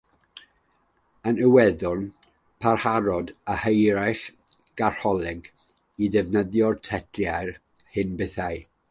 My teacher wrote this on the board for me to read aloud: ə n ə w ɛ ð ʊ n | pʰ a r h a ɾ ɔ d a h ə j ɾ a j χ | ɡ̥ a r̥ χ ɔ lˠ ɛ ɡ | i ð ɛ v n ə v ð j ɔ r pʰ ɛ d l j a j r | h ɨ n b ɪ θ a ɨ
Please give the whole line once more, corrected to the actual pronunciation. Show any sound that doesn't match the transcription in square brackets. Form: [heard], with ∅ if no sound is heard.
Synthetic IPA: ə n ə w ɛ ð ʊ n | pʰ a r h a ɾ ɔ d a h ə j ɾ a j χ | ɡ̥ a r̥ [h] ɔ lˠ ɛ ɡ | i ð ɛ v n ə [∅] ð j ɔ r [tʰ] ɛ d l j a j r | h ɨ n b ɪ θ a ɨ